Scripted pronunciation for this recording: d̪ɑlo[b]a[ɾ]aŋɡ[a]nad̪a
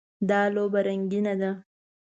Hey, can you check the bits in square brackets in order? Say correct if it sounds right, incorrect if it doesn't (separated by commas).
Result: correct, correct, incorrect